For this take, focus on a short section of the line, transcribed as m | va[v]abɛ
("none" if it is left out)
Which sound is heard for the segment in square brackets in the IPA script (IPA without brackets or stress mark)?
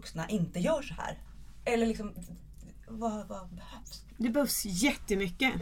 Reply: v